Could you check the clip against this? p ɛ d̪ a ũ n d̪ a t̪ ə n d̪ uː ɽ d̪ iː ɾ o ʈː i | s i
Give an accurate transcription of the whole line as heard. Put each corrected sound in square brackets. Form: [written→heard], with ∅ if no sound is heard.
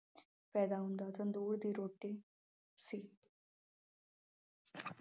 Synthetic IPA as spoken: p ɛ d̪ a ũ n d̪ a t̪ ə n d̪ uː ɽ d̪ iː ɾ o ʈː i | s i